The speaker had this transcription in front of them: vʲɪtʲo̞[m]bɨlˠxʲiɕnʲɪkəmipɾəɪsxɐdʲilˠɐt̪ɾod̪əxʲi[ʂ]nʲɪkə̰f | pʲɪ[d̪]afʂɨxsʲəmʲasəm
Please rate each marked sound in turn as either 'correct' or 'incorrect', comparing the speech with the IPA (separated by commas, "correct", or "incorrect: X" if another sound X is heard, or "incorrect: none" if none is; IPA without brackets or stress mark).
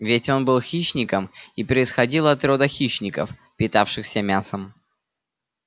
incorrect: n, incorrect: ɕ, incorrect: t̪